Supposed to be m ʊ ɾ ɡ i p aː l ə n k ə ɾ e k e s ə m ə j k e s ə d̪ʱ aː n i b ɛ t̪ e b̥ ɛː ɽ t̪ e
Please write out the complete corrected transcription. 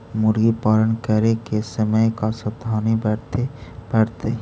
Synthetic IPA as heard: m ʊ ɾ ɡ i p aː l ə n k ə ɾ e k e s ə m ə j k a s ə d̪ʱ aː n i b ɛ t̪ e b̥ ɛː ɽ t̪ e